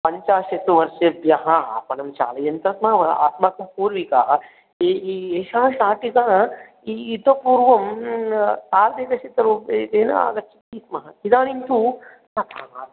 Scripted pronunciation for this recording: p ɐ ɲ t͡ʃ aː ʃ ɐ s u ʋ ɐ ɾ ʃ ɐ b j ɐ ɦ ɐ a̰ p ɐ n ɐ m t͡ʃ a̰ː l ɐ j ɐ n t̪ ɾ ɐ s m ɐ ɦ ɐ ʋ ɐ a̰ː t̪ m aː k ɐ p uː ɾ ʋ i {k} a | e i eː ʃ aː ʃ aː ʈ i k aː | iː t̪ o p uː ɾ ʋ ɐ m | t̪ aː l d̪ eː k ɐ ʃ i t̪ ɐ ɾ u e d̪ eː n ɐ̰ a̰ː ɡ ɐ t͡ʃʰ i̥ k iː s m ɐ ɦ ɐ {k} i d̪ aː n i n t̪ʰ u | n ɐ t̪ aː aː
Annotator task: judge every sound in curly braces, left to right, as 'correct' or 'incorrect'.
correct, correct

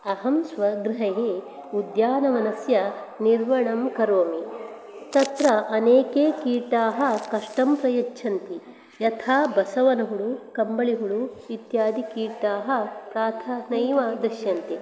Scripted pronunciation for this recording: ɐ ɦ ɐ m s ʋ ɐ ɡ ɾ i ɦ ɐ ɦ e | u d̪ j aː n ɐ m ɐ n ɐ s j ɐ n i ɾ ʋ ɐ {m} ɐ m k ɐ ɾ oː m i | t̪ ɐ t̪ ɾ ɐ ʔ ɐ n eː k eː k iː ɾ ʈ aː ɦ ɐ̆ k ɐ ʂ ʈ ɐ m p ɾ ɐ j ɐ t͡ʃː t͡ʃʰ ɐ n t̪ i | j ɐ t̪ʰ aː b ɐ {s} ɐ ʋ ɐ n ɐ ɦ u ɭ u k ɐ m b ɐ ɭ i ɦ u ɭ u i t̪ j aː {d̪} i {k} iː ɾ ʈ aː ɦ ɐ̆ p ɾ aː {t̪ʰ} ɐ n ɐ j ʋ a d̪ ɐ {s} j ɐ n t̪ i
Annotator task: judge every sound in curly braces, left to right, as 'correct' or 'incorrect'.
incorrect: ɳ, correct, correct, correct, correct, incorrect: ʃ

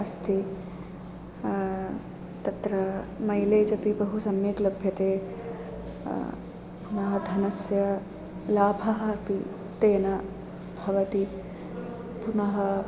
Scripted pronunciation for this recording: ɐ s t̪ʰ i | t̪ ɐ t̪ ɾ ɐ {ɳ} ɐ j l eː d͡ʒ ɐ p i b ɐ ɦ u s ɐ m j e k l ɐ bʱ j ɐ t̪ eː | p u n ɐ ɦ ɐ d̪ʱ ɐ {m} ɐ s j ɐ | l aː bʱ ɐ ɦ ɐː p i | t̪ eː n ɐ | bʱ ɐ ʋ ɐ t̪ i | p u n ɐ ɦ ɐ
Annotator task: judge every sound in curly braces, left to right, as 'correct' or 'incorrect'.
incorrect: m, incorrect: n

